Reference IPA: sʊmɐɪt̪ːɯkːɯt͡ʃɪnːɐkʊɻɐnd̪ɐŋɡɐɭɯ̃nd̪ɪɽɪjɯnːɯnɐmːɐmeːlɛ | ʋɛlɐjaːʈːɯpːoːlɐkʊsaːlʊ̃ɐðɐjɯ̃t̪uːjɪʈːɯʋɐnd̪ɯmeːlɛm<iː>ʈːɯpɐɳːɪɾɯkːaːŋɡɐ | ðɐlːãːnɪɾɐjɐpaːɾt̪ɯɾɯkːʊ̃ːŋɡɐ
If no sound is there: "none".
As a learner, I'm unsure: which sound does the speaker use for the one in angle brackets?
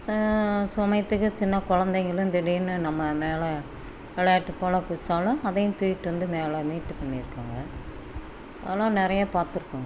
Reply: iː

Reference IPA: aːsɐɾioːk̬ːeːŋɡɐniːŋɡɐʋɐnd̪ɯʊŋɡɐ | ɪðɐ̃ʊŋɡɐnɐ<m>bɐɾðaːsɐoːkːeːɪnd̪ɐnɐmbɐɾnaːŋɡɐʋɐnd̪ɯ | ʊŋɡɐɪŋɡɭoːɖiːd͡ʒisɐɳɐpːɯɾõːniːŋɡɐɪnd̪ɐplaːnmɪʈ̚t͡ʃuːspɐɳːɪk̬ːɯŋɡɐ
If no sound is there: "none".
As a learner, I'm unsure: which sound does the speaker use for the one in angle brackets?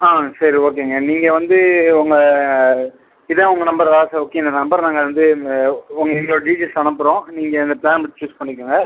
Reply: m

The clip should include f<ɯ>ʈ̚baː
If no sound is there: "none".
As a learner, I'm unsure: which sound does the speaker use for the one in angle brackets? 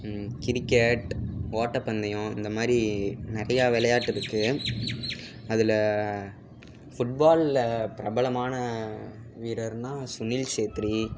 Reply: ʊ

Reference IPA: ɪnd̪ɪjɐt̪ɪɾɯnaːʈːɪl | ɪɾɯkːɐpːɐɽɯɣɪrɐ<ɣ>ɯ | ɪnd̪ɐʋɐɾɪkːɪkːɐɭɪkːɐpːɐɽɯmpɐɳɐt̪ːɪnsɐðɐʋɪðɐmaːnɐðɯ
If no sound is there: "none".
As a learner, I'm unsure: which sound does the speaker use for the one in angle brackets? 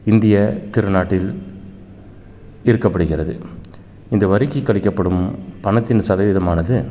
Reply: ð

